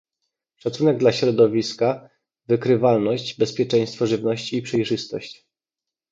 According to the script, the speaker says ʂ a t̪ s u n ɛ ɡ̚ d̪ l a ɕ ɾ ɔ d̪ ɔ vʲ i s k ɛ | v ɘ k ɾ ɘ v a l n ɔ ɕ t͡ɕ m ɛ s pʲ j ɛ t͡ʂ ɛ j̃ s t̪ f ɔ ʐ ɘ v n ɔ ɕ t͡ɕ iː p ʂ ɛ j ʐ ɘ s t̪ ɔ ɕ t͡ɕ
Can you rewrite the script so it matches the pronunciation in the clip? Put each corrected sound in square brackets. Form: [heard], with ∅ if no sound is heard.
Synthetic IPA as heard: ʂ a t̪ s u n ɛ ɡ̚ d̪ l a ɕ ɾ ɔ d̪ ɔ vʲ i s k [a] | v ɘ k ɾ ɘ v a l n ɔ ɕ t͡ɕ [b] ɛ s pʲ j ɛ t͡ʂ ɛ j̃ s t̪ f ɔ ʐ ɘ v n ɔ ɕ t͡ɕ iː p ʂ ɛ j ʐ ɘ s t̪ ɔ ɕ t͡ɕ